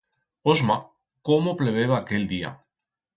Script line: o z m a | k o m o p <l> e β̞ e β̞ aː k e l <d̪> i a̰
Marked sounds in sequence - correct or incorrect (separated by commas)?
correct, correct